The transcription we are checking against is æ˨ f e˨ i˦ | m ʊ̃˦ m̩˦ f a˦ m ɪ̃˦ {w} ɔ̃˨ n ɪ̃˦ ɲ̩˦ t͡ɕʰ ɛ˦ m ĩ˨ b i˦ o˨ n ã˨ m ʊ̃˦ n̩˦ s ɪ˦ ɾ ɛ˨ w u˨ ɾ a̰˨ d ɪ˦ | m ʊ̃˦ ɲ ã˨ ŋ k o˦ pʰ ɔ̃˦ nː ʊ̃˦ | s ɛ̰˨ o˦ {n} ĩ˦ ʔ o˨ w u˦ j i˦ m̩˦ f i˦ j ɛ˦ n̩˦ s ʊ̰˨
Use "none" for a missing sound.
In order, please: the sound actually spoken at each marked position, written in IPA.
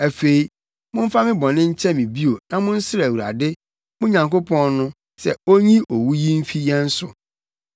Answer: b, ɲ

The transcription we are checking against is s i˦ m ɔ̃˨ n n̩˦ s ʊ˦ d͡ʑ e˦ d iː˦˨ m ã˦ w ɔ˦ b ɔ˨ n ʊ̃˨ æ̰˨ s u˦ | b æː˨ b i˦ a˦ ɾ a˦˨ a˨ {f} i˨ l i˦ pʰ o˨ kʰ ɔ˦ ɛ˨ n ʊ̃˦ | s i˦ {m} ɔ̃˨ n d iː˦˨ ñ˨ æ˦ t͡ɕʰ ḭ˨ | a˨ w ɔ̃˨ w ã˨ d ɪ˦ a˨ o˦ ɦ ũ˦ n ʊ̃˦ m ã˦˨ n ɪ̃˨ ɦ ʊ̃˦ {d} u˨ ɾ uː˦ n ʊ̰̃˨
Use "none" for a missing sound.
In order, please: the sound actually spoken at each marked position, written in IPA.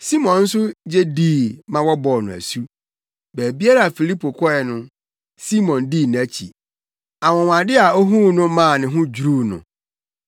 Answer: f, m, d͡ʑ

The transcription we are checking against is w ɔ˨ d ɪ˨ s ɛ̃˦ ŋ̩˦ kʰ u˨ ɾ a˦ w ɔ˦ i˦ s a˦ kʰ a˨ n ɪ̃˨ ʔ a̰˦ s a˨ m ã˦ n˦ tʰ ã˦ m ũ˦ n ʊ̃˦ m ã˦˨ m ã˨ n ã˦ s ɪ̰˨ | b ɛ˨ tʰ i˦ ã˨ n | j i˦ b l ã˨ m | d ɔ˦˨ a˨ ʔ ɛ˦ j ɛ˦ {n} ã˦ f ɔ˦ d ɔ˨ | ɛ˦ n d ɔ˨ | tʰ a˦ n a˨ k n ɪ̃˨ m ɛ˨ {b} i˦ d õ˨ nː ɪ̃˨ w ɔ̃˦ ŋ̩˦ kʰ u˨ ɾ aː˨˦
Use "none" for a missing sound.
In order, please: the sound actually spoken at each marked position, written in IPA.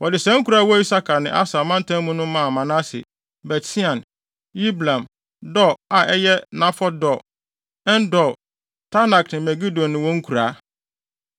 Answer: n, ɡ

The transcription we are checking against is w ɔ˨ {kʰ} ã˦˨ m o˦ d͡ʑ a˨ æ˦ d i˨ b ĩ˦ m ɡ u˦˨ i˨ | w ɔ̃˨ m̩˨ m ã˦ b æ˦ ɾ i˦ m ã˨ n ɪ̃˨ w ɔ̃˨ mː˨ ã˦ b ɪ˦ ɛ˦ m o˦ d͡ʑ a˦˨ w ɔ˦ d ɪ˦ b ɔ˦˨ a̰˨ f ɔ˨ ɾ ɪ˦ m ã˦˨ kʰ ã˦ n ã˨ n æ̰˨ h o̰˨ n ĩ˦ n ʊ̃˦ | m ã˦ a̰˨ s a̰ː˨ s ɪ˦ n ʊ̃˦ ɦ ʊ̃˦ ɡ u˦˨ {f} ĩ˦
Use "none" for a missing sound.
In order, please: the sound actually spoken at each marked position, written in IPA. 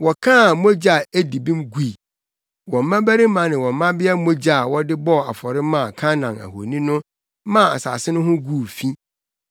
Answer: kʰ, f

